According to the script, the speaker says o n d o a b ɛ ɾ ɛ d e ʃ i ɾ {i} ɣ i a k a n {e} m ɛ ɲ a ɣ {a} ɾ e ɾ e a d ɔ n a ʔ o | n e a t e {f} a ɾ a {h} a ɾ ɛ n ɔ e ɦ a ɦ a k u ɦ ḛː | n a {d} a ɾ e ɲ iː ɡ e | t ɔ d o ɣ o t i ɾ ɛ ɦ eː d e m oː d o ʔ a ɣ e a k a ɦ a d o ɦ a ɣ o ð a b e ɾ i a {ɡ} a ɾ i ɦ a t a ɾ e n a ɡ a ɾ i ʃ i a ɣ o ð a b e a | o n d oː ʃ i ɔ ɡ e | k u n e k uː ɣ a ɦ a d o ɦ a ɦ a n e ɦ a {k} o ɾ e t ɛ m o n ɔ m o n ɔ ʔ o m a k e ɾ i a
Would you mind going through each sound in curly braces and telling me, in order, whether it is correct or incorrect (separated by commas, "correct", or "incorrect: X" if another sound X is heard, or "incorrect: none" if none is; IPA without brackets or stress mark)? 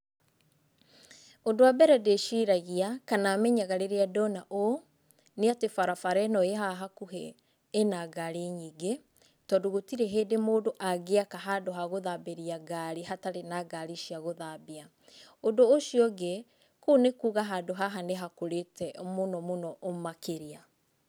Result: incorrect: a, incorrect: a, correct, correct, incorrect: f, incorrect: ɡ, correct, correct